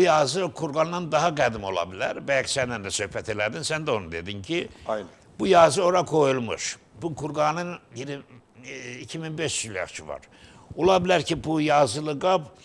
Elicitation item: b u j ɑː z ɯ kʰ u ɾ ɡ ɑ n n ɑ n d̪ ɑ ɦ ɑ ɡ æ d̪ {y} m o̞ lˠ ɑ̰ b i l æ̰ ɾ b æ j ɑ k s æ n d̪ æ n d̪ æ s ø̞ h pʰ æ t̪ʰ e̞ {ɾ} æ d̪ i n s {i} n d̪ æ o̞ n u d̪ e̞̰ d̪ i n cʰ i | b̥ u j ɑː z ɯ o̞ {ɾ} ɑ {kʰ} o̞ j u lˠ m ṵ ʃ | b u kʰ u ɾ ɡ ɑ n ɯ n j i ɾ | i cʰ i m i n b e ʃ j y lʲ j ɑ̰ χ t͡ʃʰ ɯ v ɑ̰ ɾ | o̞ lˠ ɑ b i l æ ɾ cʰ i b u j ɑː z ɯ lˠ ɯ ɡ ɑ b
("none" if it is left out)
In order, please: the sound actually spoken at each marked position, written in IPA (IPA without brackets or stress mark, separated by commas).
i, l, æ, ɾ, kʰ